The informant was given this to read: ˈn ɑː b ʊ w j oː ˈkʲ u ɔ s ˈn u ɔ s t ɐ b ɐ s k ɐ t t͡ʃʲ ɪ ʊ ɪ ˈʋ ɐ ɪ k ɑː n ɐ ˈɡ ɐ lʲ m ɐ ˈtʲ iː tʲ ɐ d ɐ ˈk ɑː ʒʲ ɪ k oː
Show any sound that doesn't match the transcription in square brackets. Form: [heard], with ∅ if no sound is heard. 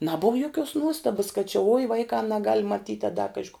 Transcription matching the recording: ˈn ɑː b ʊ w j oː ˈkʲ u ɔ s ˈn u ɔ s t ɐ b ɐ s k ɐ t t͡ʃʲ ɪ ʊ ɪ ˈʋ ɐ ɪ k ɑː n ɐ ˈɡ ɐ lʲ m ɐ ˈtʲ iː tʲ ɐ d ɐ ˈk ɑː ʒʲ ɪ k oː